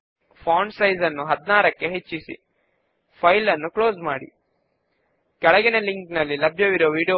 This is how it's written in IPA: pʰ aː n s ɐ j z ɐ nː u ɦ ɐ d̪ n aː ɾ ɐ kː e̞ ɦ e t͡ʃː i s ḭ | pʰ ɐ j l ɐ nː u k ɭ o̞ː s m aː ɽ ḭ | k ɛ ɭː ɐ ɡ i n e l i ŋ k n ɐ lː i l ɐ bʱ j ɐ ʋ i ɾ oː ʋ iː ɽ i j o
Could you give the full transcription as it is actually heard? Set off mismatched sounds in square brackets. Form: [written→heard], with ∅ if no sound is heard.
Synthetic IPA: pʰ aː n s ɐ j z ɐ nː u ɦ ɐ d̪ n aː ɾ ɐ kː e̞ ɦ e t͡ʃː i s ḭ | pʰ ɐ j l ɐ nː u k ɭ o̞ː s m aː ɽ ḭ | k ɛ [ɭː→ɭ] ɐ ɡ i n e l i ŋ k n ɐ lː i l ɐ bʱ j ɐ ʋ i ɾ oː ʋ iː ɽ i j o